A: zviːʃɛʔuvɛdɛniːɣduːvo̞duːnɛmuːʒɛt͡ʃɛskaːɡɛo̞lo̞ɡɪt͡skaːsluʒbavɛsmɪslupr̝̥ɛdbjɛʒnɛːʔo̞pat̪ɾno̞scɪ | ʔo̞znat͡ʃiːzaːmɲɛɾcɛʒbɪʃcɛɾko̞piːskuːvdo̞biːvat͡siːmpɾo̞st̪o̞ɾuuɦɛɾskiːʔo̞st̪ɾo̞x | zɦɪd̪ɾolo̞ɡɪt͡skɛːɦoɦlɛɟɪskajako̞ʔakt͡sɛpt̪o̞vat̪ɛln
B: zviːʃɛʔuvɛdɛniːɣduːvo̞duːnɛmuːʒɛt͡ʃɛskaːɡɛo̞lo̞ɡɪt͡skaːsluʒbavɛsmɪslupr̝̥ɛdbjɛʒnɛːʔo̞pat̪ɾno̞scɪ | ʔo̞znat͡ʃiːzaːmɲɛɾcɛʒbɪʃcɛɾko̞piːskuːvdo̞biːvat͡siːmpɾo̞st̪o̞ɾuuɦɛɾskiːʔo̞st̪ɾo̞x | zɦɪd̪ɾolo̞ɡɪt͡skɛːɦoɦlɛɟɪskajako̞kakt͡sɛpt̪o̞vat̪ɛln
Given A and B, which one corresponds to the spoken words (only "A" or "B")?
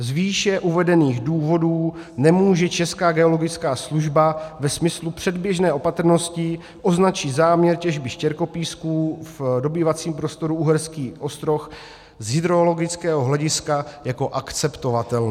A